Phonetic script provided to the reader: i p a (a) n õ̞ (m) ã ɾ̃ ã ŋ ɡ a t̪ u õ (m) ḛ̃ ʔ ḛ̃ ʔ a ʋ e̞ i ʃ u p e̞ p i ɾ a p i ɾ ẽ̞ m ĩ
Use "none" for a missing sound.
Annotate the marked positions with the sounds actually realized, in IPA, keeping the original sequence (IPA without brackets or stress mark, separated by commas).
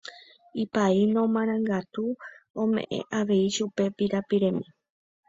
i, m, m